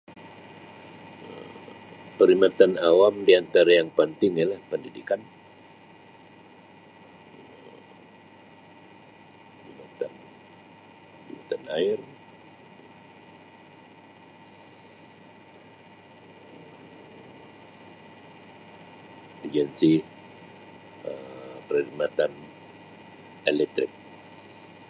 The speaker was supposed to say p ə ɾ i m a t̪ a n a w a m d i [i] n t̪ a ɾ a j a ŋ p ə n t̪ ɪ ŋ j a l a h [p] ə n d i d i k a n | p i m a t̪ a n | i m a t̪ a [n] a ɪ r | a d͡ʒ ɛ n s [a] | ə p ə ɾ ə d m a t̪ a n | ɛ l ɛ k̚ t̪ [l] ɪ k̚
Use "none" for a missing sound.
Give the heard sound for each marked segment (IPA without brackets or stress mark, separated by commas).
a, p, n, i, ɾ